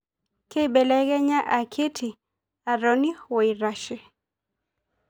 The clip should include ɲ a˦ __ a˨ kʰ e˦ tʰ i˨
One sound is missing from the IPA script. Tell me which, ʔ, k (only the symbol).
ʔ